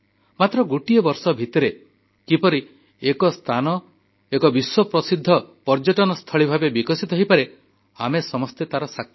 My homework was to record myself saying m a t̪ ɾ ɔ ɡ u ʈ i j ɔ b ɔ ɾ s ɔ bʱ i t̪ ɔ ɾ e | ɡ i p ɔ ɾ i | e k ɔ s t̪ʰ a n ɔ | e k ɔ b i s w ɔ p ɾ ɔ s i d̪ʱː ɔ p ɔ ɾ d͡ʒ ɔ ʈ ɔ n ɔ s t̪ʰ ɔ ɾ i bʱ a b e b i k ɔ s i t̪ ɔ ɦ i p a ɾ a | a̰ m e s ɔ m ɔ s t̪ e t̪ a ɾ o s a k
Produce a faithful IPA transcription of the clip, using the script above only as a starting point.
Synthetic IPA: m a t̪ ɾ ɔ ɡ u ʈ i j ɔ b ɔ ɾ s ɔ bʱ i t̪ ɔ ɾ e | k i p ɔ ɾ i | e k ɔ s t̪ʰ a n ɔ | e k ɔ b i s w ɔ p ɾ ɔ s i d̪ʱː ɔ p ɔ ɾ d͡ʒ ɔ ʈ ɔ n ɔ s t̪ʰ ɔ ɭ i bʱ a b e b i k ɔ s i t̪ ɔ ɦ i p a ɾ e | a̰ m e s ɔ m ɔ s t̪ e t̪ a ɾ ɔ s a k